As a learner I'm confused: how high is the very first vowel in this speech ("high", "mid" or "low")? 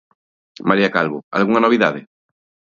low